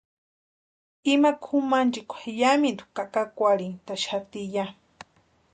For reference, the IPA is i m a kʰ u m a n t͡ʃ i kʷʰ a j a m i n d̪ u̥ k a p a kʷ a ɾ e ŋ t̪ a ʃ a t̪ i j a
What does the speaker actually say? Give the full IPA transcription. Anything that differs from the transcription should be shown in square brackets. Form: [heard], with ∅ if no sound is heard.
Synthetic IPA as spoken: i m a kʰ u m a n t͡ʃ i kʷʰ a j a m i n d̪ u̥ k a [k] a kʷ a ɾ [i] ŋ t̪ a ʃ a t̪ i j a